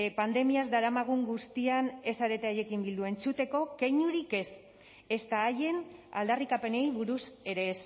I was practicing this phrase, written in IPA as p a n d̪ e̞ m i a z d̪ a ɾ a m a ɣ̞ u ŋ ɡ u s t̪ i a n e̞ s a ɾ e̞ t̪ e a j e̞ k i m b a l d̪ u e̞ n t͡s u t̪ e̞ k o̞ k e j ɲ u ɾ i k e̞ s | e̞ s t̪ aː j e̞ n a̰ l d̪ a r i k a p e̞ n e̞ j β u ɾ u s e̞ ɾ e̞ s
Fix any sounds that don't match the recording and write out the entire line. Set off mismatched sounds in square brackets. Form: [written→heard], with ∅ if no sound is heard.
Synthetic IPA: p a n d̪ e̞ m i a z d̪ a ɾ a m a ɣ̞ u ŋ ɡ u s t̪ i a n e̞ s a ɾ e̞ t̪ e a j e̞ k i m b [a→i] l d̪ u e̞ n t͡s u t̪ e̞ k o̞ k e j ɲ u ɾ i k e̞ s | e̞ s t̪ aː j e̞ n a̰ l d̪ a r i k a p e̞ n e̞ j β u ɾ u s e̞ ɾ e̞ s